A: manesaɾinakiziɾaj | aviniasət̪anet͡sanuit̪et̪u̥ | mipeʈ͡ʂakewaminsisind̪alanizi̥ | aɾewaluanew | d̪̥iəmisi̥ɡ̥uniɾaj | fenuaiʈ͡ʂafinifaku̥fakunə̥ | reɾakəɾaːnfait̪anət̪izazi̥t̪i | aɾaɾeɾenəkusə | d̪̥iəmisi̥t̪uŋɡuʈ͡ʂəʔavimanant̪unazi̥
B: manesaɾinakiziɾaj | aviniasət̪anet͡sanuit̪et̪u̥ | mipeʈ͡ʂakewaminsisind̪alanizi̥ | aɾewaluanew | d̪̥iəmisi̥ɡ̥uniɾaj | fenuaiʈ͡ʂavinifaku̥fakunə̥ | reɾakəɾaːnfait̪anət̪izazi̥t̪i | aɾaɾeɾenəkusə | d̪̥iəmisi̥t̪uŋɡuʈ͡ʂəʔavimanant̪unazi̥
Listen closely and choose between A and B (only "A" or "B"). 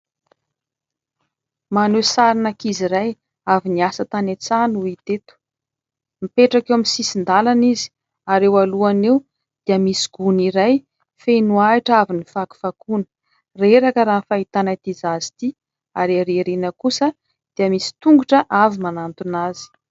B